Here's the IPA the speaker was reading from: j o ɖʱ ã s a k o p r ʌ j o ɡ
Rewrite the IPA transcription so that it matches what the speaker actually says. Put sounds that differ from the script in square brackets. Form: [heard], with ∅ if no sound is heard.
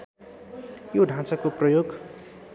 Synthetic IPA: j o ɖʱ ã [t͡s] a k o p r ʌ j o ɡ